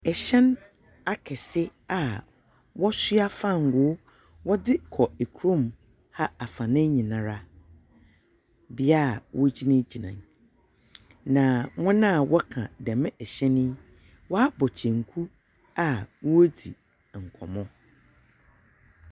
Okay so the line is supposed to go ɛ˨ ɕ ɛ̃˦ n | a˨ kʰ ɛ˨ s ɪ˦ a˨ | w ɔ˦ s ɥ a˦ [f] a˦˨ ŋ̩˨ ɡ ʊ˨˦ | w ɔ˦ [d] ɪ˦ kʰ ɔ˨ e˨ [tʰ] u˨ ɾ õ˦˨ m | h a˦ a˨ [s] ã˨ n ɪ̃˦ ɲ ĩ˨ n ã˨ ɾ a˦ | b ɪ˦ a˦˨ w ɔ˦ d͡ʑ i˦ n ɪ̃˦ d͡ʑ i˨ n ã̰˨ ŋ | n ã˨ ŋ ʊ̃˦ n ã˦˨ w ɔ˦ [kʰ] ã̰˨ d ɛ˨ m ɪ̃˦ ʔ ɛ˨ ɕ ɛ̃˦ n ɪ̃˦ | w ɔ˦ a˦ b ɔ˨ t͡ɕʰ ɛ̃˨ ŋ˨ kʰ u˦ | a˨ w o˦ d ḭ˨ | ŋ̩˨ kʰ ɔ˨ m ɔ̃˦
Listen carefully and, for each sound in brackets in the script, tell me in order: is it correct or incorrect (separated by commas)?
correct, correct, incorrect, incorrect, correct